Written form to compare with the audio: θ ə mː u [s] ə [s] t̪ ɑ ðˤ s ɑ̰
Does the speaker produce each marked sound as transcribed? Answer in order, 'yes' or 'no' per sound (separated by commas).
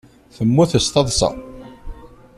no, yes